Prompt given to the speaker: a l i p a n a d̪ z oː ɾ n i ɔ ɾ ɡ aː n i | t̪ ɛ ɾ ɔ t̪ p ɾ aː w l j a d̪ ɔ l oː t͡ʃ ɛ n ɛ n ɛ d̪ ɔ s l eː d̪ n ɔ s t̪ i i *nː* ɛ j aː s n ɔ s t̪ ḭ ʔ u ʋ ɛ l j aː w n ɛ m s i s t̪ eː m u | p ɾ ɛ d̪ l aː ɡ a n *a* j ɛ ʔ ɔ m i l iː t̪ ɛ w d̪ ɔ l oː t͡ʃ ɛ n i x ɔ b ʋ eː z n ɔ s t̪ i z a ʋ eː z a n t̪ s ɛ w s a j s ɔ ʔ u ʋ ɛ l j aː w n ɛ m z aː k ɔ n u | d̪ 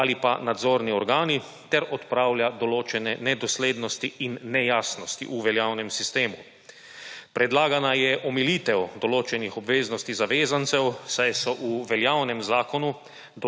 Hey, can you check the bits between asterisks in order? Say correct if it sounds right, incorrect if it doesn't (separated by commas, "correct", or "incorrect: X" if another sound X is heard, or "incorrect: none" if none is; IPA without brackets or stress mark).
correct, correct